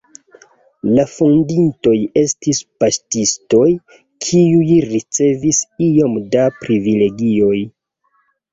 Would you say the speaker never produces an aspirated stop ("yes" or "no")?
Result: no